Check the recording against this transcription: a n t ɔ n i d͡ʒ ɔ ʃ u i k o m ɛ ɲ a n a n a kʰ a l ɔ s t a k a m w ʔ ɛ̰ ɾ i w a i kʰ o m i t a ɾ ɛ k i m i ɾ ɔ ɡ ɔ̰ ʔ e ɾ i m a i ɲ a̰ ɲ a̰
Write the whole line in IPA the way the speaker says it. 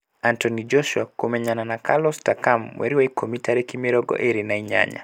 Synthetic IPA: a n t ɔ n i d͡ʒ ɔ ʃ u a k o m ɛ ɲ a n a n a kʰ a l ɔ s t a k a m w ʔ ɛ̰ ɾ i w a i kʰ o m i t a ɾ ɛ k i m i ɾ ɔ ɡ ɔ̰ ʔ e ɾ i n a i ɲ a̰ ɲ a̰

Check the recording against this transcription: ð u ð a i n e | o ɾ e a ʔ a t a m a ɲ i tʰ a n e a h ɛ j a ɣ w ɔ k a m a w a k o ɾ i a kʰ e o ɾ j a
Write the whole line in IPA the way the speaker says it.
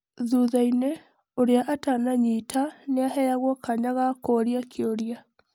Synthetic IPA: ð u ð a i n e | o ɾ e a ʔ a t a n a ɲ i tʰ a n e a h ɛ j a ɣ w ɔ k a ɲ a ɣ a k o ɾ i a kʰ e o ɾ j a

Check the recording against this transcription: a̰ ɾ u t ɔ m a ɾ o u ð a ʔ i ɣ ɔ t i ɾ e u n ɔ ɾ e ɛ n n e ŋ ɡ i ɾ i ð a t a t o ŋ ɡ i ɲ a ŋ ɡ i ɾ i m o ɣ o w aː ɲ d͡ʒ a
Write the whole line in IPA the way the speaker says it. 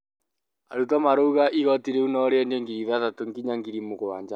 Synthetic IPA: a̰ ɾ u t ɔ m a ɾ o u ɣ a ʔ i ɣ ɔ t i ɾ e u n ɔ ɾ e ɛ n d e ŋ ɡ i ɾ i ð a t a t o ŋ ɡ i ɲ a ŋ ɡ i ɾ i m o ɣ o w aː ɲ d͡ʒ a

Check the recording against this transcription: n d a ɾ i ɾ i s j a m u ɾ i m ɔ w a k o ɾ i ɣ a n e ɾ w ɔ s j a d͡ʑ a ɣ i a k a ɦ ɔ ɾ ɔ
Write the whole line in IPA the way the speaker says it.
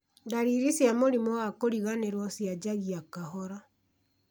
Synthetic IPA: n d a ɾ i ɾ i s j a m o ɾ i m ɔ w a k o ɾ i ɣ a n e ɾ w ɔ s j a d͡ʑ a ɣ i a k a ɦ ɔ ɾ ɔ

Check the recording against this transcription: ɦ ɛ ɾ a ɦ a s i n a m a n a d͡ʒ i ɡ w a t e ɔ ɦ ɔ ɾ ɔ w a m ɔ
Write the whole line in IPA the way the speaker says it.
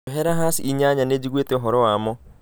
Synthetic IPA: ɦ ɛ ɾ a ɦ a s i ɲ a ɲ a n e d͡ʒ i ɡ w e t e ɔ ɦ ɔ ɾ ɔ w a m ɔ

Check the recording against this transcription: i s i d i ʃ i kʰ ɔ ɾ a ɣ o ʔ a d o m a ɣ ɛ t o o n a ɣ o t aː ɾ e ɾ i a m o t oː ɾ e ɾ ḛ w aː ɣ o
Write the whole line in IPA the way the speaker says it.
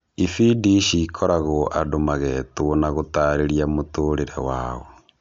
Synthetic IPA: i f i d i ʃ i kʰ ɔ ɾ a ɣ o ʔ a d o m a ɣ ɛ t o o n a ɣ o t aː ɾ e ɾ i a m o t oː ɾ e ɾ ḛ w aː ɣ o

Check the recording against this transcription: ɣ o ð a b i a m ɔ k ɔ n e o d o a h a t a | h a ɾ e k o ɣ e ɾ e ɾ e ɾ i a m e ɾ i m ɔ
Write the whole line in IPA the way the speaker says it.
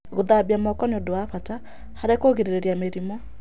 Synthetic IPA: ɣ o ð a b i a m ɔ k ɔ n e o d o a f a t a | h a ɾ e k o ɣ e ɾ e ɾ e ɾ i a m e ɾ i m ɔ

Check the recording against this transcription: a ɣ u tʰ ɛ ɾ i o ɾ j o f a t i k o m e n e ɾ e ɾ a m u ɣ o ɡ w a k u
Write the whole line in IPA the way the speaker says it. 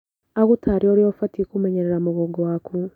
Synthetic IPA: a ɣ u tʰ a ɾ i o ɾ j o f a t i k u m e ɲ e ɾ e ɾ a m u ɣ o ɡ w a k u

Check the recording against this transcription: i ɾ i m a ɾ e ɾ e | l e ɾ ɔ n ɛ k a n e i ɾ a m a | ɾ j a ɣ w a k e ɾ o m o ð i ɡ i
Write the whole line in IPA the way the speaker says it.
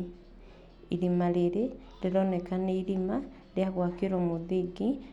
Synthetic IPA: i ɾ i m a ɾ e ɾ e | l e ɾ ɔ n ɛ k a n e i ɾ i m a | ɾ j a ɣ w a k e ɾ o m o ð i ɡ i

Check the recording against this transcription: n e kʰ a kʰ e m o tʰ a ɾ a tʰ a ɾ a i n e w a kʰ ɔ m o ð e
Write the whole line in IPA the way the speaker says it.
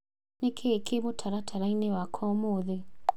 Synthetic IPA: n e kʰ e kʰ e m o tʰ a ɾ a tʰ a ɾ a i n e w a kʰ ɔ m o ð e

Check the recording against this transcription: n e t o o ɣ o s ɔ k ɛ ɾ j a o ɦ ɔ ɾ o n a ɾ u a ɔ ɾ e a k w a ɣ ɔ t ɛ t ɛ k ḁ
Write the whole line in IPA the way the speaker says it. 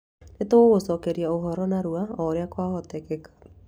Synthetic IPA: n e t o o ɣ o s ɔ k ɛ ɾ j a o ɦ ɔ ɾ ɔ n a ɾ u a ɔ ɾ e a k w a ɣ ɔ t ɛ k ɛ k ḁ

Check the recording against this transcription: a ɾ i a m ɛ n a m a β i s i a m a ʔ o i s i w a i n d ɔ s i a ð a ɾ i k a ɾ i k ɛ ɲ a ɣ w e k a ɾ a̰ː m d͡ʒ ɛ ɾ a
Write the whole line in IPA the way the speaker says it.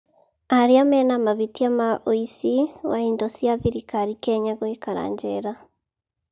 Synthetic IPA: a ɾ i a m ɛ n a m a β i t i a m a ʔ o i s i w a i n d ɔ s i a ð i ɾ i k a ɾ i k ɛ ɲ a ɣ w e k a ɾ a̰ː ɲ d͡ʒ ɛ ɾ a

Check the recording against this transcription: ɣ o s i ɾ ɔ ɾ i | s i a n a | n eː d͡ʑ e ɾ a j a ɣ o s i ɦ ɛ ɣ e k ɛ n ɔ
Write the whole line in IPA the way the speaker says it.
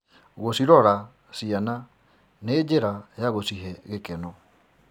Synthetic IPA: ɣ o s i ɾ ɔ ɾ a | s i a n a | n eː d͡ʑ e ɾ a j a ɣ o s i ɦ ɛ ɣ e k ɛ n ɔ

